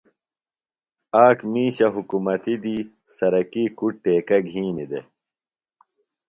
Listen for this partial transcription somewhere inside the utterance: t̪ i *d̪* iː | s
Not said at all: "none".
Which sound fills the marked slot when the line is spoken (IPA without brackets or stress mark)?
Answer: d̪